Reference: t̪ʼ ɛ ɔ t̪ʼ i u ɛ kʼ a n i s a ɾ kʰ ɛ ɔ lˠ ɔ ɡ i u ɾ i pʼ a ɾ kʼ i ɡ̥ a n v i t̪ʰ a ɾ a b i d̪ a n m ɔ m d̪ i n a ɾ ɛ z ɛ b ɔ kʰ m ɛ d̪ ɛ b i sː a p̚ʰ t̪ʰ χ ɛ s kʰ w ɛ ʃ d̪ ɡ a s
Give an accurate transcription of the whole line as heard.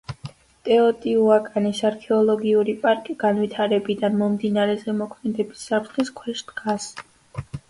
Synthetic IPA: t̪ʼ ɛ ɔ t̪ʼ i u a kʼ a n i s a ɾ kʰ ɛ ɔ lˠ ɔ ɡ i u ɾ i pʼ a ɾ kʼ i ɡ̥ a n v i t̪ʰ a ɾ ɛ b i d̪ a n m ɔ m d̪ i n a ɾ ɛ z ɛ m ɔ kʰ m ɛ d̪ ɛ b i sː a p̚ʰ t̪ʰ χ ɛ s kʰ w ɛ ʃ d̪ ɡ a s